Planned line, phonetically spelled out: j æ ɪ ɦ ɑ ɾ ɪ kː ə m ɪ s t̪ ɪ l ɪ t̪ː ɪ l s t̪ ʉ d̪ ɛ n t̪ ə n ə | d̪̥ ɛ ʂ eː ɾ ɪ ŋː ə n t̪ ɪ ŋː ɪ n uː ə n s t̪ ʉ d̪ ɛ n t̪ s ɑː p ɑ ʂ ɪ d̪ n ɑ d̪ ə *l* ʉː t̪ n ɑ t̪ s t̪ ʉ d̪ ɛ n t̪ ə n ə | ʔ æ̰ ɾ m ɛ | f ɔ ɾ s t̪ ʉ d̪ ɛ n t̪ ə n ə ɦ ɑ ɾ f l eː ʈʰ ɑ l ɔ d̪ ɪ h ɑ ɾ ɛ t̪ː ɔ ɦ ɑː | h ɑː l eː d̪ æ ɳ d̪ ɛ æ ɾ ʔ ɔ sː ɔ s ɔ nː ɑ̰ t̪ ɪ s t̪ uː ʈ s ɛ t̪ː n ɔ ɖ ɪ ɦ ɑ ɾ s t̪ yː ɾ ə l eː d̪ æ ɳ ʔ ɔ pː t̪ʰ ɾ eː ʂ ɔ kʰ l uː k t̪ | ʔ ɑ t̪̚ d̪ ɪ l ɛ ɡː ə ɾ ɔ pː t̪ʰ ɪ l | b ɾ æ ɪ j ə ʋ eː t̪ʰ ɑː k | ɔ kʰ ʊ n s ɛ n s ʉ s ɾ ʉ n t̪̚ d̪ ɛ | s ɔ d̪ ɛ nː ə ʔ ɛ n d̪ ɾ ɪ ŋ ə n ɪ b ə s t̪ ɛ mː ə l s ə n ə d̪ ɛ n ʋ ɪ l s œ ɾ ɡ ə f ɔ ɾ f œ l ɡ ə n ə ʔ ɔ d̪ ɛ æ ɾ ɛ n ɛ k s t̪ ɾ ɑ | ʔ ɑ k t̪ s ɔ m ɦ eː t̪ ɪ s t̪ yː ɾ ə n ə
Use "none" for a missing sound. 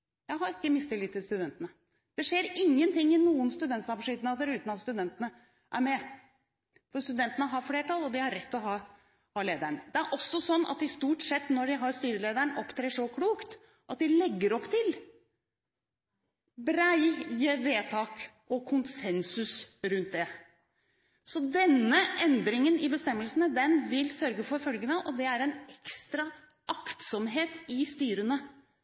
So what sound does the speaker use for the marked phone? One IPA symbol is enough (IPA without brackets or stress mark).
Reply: ɾ